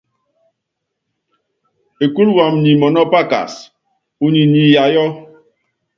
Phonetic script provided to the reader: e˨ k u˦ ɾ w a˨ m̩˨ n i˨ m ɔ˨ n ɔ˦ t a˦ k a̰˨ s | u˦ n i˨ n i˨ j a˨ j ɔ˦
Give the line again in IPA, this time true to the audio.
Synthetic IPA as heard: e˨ k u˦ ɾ w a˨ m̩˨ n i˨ m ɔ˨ n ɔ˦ p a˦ k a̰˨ s | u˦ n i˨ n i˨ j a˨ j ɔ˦